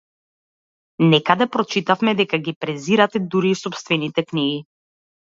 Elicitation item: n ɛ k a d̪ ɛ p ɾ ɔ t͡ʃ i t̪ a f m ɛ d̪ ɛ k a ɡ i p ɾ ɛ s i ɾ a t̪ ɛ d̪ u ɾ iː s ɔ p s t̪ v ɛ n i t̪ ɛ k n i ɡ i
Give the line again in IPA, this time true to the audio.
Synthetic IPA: n ɛ k a d̪ ɛ p ɾ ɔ t͡ʃ i t̪ a f m ɛ d̪ ɛ k a ɡ i p ɾ ɛ z i ɾ a t̪ ɛ d̪ u ɾ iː s ɔ p s t̪ v ɛ n i t̪ ɛ k n i ɡ i